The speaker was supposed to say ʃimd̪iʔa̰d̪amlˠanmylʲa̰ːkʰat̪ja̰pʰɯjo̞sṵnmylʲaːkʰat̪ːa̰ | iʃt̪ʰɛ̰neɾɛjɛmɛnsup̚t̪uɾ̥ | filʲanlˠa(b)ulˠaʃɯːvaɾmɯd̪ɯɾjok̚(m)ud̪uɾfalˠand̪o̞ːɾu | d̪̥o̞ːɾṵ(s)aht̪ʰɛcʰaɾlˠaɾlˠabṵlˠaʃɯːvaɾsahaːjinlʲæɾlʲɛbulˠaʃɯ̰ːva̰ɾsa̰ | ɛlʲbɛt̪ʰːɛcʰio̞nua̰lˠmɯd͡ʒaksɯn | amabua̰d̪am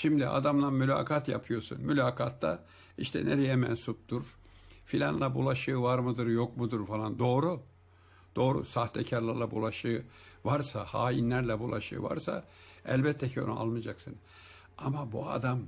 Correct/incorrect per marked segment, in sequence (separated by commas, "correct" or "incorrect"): correct, correct, correct